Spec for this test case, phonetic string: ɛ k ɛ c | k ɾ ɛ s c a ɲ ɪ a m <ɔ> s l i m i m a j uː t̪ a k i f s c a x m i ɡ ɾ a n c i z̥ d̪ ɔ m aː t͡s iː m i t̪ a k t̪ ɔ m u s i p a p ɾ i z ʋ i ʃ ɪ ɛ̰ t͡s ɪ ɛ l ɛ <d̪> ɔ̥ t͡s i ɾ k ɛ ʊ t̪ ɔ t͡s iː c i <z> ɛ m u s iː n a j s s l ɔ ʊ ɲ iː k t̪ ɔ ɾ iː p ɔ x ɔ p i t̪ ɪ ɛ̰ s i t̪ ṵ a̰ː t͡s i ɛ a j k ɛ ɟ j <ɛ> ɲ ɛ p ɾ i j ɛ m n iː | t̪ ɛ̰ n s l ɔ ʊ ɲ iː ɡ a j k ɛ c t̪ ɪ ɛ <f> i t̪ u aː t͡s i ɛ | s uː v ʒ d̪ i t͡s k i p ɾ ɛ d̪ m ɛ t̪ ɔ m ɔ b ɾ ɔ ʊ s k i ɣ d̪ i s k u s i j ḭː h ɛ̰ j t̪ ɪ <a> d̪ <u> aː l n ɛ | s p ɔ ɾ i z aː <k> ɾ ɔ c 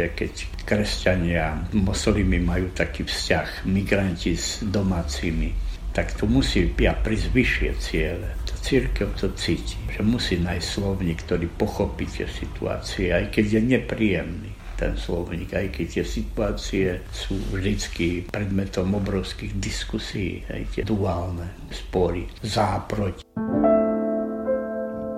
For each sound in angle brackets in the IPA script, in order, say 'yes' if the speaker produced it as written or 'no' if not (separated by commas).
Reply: yes, no, no, yes, no, no, yes, no